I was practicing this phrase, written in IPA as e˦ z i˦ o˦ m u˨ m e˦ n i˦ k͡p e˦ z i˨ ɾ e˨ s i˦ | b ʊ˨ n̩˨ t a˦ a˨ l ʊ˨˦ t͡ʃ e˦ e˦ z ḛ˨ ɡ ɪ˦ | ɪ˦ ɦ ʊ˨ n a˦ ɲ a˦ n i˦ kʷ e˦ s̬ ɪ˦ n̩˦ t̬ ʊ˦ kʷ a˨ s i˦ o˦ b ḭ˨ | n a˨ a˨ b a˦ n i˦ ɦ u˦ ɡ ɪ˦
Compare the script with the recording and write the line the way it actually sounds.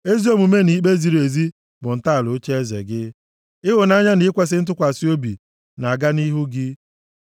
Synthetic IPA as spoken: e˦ z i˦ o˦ m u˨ m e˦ n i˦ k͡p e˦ z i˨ ɾ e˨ z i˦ | b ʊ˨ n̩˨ t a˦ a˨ l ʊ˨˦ t͡ʃ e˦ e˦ z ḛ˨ ɡ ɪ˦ | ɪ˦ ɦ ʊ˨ n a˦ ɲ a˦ n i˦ kʷ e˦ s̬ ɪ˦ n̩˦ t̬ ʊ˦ kʷ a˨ s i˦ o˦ b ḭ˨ | n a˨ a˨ ɡ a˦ n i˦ ɦ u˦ ɡ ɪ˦